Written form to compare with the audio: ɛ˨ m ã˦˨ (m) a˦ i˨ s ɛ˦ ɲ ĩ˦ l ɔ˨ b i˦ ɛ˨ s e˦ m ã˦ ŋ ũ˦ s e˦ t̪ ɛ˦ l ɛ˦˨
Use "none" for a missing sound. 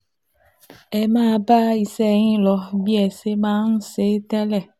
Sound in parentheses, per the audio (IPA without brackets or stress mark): b